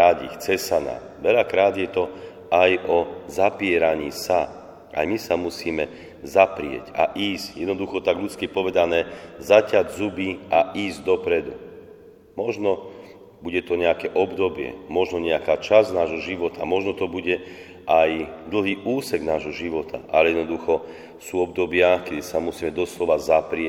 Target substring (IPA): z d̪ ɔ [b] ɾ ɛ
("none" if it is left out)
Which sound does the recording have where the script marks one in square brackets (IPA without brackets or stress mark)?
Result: p